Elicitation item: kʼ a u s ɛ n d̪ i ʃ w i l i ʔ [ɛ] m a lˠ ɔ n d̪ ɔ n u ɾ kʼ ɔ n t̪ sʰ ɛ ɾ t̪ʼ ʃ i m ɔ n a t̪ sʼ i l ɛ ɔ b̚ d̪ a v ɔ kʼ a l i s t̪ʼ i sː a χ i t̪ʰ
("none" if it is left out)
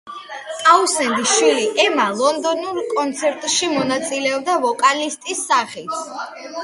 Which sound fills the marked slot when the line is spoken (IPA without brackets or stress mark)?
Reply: ɛ